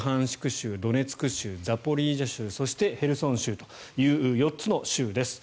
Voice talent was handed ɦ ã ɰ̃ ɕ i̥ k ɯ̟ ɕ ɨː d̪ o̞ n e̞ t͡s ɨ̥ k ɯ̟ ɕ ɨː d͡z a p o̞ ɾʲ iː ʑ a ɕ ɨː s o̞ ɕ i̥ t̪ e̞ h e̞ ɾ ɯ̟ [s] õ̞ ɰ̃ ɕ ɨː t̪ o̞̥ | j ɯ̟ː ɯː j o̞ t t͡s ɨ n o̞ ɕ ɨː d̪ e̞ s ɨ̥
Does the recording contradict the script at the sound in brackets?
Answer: no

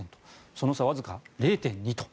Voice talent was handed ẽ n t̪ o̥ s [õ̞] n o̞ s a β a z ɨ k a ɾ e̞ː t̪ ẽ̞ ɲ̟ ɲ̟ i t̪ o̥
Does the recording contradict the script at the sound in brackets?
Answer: yes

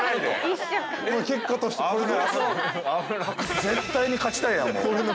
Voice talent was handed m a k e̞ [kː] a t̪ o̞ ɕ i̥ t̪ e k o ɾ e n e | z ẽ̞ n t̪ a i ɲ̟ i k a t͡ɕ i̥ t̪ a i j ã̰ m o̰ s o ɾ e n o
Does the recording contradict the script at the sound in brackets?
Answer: no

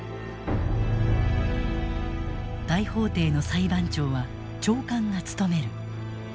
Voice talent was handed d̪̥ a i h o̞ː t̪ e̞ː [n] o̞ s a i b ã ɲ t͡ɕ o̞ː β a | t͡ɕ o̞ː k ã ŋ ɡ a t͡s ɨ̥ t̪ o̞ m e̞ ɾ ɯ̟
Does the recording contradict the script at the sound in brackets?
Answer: no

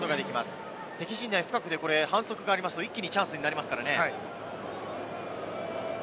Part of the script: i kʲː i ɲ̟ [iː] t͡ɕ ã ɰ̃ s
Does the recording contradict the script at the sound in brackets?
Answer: yes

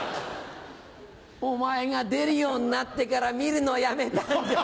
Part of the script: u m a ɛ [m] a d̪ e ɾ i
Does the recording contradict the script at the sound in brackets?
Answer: yes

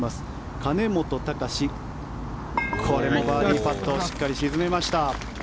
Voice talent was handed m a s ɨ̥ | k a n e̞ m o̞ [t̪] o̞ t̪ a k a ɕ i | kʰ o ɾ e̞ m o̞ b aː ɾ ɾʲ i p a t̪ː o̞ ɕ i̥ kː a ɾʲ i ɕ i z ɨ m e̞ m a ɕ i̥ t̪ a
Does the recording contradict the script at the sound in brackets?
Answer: no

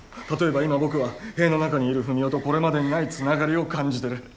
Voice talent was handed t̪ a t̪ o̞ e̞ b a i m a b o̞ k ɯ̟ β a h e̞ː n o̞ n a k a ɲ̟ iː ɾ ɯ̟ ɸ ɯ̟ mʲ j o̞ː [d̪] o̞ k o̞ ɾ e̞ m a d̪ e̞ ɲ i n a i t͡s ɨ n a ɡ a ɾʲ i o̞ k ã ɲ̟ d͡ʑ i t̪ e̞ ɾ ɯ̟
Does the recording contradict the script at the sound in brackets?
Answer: yes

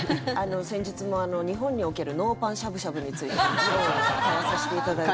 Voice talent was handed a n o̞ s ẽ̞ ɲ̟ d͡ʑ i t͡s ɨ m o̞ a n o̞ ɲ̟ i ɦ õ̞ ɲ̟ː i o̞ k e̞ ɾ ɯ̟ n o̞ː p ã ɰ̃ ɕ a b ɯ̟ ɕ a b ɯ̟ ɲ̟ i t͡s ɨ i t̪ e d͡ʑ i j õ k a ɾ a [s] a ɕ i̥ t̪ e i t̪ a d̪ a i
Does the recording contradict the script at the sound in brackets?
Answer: no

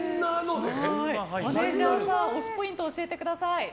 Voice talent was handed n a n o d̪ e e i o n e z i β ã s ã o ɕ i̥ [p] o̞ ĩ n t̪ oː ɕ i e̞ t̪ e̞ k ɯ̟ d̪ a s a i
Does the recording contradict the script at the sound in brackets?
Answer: no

